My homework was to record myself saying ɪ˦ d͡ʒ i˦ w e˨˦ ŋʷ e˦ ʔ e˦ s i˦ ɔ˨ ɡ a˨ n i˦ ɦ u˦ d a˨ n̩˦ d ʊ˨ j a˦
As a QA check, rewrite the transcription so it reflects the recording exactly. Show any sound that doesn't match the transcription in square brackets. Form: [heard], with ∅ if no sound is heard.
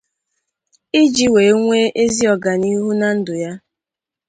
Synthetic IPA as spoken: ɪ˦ d͡ʒ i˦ w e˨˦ ŋʷ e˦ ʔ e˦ [z] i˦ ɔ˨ ɡ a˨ n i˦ ɦ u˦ [n] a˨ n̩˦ d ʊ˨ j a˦